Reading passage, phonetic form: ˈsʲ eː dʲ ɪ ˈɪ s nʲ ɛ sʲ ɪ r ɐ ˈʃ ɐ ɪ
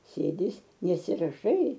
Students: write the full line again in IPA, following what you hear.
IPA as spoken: ˈsʲ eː dʲ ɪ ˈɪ s nʲ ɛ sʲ ɪ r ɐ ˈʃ ɐ ɪ